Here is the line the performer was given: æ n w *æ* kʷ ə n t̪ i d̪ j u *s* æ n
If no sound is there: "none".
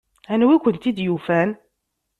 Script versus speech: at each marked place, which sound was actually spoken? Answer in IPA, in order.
i, f

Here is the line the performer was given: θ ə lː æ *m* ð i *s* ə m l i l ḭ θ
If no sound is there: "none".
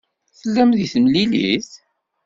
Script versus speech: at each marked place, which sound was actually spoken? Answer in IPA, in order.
m, θ

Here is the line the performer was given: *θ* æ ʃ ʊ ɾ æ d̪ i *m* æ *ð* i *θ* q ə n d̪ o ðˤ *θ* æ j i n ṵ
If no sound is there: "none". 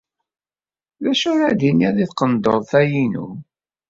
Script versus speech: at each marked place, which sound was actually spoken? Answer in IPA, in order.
ð, n, ð, θ, θ

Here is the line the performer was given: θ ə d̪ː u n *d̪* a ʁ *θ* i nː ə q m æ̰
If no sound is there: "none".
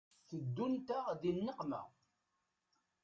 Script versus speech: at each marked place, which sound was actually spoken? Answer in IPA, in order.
t̪, ð

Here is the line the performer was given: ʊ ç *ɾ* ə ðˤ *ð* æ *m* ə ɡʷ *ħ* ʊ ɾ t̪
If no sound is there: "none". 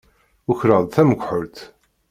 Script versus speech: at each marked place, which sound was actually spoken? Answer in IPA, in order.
ɾ, θ, m, ħ

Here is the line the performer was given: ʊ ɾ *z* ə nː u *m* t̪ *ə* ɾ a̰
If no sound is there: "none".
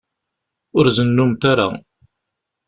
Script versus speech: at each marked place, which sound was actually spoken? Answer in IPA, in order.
z, m, a

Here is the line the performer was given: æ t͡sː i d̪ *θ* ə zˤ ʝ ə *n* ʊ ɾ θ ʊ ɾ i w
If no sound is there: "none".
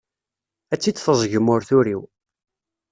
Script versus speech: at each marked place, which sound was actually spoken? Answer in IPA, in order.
θ, m

